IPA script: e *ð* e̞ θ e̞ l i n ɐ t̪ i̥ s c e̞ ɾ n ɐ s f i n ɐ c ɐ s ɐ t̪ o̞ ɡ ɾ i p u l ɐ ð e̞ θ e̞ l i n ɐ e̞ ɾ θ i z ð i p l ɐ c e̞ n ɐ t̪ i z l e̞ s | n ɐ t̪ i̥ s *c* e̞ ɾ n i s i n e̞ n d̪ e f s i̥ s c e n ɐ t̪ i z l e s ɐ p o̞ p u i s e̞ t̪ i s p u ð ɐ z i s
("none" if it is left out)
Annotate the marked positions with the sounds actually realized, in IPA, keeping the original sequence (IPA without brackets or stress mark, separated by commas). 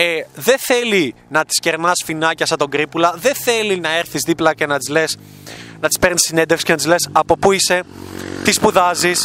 ð, p